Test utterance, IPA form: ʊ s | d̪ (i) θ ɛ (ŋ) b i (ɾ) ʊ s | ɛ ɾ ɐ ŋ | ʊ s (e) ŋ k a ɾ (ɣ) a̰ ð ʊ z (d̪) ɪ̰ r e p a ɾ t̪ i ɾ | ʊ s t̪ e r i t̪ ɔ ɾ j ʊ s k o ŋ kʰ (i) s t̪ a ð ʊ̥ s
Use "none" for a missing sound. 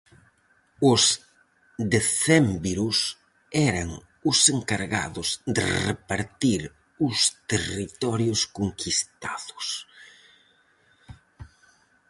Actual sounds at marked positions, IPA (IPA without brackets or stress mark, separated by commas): e, m, ɾ, e, ɣ, d̪, i